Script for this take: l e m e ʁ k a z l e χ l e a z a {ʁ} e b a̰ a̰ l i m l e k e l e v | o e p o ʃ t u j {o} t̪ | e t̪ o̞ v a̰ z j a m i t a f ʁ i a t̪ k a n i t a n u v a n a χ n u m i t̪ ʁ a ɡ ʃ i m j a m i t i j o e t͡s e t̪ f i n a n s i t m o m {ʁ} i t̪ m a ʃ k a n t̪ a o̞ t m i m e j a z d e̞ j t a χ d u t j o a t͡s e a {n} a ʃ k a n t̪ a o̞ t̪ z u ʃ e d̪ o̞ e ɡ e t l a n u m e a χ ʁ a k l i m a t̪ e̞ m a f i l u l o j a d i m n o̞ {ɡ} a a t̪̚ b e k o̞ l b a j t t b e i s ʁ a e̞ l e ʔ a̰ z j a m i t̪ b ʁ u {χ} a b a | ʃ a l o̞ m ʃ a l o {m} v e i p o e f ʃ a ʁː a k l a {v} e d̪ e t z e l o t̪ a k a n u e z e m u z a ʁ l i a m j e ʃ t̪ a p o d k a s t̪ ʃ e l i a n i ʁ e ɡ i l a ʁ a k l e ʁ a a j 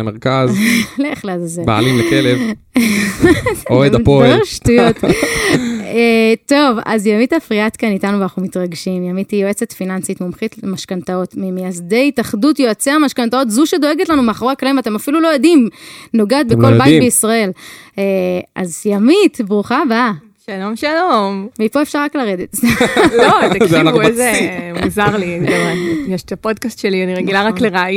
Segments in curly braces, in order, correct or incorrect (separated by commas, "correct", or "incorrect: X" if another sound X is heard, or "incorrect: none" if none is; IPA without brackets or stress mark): incorrect: z, correct, incorrect: χ, incorrect: m, correct, correct, correct, incorrect: ʁ